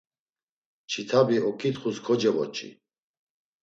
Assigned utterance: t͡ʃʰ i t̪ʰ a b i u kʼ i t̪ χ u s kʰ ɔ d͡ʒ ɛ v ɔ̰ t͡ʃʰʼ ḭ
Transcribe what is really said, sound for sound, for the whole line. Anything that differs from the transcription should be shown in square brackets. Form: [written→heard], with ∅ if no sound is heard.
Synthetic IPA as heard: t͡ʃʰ i t̪ʰ a b i [u→ɔ] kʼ i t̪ χ u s kʰ ɔ d͡ʒ ɛ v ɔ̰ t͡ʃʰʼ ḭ